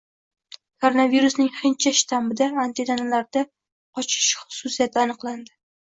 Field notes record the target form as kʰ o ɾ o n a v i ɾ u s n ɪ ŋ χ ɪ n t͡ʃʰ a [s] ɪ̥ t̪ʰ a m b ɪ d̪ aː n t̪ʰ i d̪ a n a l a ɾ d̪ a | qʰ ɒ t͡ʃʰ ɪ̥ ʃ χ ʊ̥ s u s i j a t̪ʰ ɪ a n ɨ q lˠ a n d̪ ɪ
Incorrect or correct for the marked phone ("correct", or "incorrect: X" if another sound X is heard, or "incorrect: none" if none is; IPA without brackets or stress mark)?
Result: incorrect: ʃ